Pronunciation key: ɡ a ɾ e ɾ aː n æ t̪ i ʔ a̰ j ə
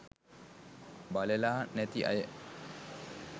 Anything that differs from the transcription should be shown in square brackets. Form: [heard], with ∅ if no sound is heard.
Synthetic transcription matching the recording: [b] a [l] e [l] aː n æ t̪ i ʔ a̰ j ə